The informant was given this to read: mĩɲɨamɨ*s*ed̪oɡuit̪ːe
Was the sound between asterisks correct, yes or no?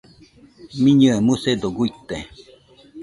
yes